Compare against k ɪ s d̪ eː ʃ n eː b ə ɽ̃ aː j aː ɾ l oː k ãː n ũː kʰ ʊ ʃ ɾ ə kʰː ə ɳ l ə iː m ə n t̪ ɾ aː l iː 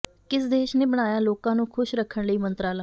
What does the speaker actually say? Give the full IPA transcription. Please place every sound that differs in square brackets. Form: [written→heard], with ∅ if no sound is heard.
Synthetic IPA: k ɪ s d̪ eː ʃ n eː b ə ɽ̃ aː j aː [ɾ→∅] l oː k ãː n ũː kʰ ʊ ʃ ɾ ə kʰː ə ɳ l ə iː m ə n t̪ ɾ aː l [iː→aː]